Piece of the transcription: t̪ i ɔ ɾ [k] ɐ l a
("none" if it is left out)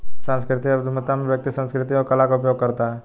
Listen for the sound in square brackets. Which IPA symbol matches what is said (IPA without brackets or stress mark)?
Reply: k